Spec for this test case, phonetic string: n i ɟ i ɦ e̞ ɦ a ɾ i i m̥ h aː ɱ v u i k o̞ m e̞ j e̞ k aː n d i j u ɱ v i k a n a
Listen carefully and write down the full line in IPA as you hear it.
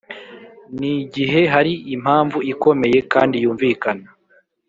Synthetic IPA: n i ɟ i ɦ e̞ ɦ a ɾ i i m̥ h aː ɱ v u i k o̞ m e̞ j e̞ k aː n d i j uː ɱ v i k a n a